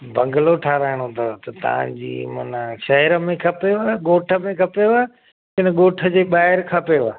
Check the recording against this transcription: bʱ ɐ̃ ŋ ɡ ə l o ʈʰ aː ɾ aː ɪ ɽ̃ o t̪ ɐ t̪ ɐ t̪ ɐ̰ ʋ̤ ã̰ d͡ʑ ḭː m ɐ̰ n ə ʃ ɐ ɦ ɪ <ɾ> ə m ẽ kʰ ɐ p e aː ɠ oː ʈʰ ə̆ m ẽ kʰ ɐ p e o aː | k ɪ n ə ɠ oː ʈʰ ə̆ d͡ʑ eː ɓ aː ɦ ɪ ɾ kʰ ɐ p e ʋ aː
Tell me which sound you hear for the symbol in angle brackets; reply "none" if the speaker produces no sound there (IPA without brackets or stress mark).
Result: ɾ